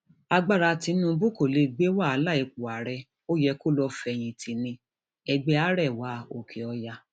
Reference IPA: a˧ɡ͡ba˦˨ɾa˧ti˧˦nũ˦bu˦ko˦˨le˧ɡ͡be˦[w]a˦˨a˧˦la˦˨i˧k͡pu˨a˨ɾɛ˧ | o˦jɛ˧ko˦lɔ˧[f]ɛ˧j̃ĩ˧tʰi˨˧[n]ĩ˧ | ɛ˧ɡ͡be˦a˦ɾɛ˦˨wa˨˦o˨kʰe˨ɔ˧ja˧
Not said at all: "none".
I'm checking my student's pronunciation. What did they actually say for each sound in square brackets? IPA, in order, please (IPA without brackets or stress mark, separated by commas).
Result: w, f, n